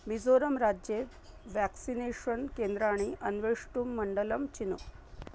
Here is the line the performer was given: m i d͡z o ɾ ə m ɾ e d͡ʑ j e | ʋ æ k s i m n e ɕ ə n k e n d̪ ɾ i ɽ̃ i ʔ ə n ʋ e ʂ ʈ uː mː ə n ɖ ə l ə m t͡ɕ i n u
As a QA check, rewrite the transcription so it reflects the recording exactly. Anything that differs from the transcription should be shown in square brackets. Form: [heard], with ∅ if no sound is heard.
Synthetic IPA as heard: m i d͡z o ɾ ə m ɾ [a] d͡ʑ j e | ʋ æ k s i [∅] n e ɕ ə n k e n d̪ ɾ [a] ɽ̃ i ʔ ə n ʋ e ʂ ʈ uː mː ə [ɳ] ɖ ə l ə m t͡ɕ i n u